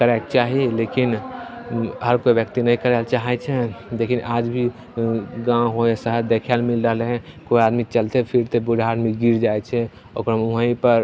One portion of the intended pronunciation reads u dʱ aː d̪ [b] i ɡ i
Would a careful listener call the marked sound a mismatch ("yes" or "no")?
yes